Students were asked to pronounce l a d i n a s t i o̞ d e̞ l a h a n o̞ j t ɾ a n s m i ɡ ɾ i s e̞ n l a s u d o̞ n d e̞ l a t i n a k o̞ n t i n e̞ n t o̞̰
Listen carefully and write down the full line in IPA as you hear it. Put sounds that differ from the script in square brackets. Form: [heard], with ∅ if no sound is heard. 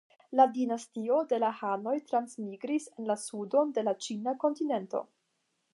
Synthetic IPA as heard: l a d i n a s t i o̞ d e̞ l a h a n o̞ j t ɾ a n s m i ɡ ɾ i s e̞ n l a s u d o̞ n d e̞ l a [t͡ʃ] i n a k o̞ n t i n e̞ n t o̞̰